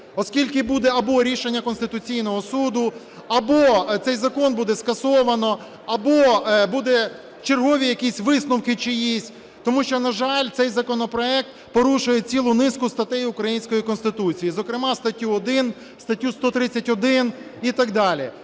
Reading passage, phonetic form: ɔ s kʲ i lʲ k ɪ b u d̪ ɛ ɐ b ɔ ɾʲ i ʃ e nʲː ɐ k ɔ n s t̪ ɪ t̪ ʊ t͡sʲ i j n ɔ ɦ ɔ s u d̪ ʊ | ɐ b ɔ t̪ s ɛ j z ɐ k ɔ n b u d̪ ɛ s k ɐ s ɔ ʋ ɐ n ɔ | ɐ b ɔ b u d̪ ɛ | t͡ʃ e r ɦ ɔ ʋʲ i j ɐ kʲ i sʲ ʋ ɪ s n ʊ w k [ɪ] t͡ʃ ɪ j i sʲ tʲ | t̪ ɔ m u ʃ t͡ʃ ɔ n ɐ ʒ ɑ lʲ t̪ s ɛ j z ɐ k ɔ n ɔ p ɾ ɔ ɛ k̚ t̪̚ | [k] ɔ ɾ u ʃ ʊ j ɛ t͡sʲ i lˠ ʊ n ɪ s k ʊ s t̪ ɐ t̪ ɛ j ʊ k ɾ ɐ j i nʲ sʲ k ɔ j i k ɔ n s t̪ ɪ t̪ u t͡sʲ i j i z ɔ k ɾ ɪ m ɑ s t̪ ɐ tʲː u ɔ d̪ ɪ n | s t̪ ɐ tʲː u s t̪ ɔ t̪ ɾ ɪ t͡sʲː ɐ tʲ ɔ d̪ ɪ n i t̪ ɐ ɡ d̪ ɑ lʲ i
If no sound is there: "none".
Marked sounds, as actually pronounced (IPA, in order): ɪ, p

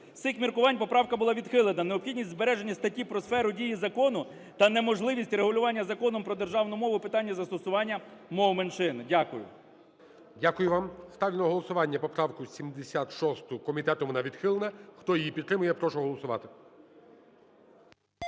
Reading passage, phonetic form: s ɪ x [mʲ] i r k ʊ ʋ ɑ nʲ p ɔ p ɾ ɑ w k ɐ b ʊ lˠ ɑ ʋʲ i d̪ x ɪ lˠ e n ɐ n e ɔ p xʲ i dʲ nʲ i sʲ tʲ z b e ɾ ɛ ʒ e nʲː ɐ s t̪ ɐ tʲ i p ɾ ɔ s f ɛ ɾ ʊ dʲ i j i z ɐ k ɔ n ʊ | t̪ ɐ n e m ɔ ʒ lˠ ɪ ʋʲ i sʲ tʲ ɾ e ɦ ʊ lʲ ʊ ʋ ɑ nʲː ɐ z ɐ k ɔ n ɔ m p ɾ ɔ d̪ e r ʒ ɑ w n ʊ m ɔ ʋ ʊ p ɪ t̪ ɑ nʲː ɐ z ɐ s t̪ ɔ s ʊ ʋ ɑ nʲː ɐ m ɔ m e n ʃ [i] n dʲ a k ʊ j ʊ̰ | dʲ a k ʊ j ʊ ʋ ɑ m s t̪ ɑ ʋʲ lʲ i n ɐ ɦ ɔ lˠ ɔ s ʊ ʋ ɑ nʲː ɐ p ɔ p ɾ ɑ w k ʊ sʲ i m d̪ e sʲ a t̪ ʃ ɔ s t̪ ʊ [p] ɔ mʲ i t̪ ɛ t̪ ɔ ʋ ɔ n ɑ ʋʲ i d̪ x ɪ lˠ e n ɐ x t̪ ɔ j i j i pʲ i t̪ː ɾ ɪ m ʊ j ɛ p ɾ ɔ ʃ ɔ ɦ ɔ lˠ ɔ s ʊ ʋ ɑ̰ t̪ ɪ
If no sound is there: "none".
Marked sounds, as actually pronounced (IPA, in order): mʲ, ɪ, k

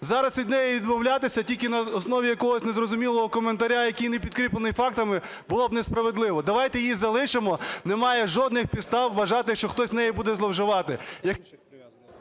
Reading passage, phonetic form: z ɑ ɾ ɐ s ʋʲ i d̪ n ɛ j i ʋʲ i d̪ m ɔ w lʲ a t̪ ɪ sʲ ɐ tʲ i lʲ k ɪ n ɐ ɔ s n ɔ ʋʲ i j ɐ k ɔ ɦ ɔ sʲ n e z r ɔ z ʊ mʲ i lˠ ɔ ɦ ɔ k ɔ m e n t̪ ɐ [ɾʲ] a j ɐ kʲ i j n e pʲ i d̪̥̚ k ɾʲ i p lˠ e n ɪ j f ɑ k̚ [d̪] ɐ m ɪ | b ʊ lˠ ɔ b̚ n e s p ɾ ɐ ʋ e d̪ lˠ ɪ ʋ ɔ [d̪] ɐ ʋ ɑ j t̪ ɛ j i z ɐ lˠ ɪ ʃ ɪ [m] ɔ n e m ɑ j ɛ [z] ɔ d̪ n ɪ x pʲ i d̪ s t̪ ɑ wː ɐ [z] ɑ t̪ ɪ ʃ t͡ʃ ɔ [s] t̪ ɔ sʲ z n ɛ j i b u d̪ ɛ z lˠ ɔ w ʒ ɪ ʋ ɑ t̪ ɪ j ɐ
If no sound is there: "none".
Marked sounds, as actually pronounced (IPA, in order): ɾʲ, t̪, d̪, m, ʒ, ʒ, x

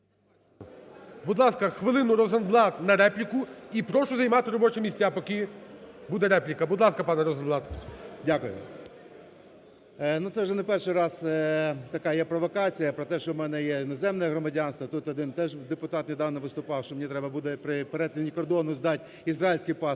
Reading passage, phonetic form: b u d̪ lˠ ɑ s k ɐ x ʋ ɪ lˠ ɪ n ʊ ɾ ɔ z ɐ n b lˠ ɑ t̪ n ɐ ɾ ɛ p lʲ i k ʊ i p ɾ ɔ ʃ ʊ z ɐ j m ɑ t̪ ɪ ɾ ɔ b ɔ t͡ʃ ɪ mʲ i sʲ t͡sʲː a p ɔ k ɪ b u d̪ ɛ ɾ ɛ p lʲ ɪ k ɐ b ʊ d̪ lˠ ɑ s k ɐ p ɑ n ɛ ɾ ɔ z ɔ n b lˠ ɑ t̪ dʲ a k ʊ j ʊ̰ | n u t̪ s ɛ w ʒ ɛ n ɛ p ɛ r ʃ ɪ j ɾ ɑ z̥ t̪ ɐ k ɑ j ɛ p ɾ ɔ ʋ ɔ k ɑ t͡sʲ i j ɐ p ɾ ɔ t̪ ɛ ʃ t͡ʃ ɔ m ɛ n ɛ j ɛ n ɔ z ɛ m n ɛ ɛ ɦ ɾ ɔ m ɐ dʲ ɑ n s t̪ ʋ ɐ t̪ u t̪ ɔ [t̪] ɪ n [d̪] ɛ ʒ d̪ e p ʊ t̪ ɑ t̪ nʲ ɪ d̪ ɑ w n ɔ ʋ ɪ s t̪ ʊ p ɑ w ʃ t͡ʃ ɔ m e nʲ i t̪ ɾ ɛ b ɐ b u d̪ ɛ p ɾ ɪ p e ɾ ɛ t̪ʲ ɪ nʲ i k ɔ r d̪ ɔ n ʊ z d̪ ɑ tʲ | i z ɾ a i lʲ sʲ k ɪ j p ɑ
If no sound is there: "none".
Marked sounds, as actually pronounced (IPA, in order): d̪, t̪

